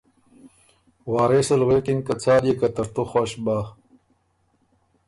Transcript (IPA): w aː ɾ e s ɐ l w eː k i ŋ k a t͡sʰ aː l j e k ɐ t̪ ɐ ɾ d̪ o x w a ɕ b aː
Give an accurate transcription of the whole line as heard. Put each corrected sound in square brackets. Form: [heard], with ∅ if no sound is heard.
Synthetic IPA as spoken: w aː ɾ e s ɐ l w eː k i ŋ k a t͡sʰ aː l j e k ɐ t̪ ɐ ɾ [t̪] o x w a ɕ b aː